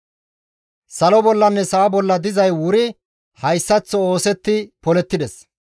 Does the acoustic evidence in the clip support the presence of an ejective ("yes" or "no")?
no